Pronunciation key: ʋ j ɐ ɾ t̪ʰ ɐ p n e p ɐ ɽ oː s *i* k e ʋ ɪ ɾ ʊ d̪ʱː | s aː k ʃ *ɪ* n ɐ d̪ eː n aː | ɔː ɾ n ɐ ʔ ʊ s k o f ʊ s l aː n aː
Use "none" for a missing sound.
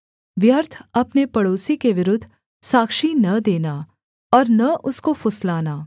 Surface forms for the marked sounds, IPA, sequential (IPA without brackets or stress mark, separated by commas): i, i